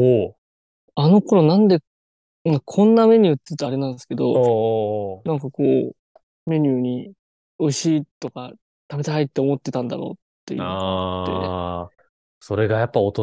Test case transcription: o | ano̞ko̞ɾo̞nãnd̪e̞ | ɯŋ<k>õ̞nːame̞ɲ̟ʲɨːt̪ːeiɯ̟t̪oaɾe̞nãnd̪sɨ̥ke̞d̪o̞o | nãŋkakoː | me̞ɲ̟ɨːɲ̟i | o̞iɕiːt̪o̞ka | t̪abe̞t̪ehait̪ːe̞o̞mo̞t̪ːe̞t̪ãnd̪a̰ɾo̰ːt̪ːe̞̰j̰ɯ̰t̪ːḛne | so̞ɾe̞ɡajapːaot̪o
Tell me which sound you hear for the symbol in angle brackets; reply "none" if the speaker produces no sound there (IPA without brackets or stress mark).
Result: kʰ